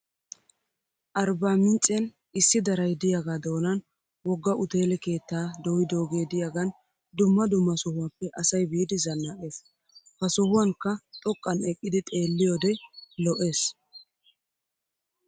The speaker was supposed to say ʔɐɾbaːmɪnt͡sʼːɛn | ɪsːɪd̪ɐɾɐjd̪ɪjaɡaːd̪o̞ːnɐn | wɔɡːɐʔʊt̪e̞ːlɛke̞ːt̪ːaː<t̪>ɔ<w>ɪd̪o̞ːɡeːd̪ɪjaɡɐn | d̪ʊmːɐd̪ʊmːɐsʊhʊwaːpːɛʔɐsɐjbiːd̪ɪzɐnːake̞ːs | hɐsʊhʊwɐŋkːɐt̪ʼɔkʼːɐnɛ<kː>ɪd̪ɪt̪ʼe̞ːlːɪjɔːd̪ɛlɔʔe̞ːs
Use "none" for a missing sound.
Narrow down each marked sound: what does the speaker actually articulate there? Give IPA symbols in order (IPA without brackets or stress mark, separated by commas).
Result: d̪, w, kʼː